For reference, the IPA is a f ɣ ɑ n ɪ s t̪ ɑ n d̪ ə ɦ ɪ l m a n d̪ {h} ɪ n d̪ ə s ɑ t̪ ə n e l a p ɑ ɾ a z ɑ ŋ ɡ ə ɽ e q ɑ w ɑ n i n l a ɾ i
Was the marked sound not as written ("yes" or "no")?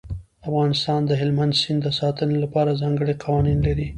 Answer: yes